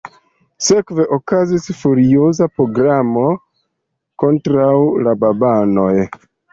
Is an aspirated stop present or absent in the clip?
absent